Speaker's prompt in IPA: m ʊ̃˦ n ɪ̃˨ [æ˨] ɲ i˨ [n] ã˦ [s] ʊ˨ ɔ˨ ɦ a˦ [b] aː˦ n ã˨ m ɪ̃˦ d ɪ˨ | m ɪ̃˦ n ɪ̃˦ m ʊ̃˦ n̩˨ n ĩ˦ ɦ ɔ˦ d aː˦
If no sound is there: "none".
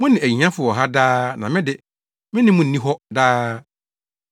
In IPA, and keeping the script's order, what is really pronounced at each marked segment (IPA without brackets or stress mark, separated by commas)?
æ˨, ɲ, f, d